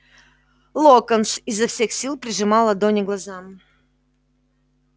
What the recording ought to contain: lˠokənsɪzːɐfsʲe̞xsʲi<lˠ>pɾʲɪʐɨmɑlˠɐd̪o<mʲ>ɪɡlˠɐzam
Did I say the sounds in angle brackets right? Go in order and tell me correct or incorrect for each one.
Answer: correct, incorrect: nʲ

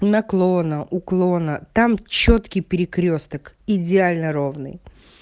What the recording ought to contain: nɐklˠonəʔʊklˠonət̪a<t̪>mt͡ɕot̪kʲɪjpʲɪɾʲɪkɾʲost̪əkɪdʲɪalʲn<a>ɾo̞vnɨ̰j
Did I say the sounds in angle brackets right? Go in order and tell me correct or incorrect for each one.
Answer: incorrect: none, incorrect: ə

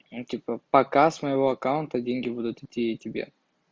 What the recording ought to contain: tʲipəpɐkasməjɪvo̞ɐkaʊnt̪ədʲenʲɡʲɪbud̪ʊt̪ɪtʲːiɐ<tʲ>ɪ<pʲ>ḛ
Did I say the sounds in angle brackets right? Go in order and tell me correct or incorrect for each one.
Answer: correct, incorrect: bʲ

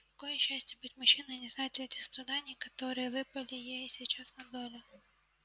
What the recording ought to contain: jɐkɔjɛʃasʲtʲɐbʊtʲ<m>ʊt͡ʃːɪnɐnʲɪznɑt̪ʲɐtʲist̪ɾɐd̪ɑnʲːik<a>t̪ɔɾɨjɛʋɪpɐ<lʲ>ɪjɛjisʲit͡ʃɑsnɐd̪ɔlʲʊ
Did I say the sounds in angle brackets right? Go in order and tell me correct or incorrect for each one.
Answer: correct, incorrect: ɐ, correct

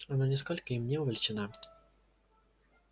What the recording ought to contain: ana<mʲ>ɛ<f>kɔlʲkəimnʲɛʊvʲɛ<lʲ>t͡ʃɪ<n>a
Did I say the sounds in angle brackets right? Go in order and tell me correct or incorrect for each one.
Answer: incorrect: nʲ, incorrect: s, correct, correct

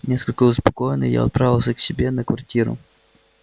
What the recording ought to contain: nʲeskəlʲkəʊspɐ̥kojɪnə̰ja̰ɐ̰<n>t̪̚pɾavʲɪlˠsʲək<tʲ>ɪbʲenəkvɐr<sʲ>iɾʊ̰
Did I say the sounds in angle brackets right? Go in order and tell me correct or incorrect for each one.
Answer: incorrect: none, incorrect: sʲ, incorrect: tʲ

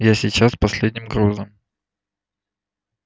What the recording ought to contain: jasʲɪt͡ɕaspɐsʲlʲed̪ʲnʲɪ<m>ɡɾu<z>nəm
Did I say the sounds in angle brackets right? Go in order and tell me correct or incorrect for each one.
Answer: correct, correct

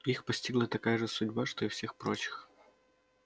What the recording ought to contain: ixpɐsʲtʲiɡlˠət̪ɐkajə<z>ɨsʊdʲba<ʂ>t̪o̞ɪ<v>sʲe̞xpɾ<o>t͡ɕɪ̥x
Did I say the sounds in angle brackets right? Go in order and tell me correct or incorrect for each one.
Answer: incorrect: ʐ, correct, incorrect: f, correct

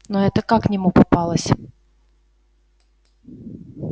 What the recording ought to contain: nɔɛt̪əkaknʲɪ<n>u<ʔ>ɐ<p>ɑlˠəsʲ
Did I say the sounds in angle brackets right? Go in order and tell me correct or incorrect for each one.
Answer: incorrect: m, incorrect: p, correct

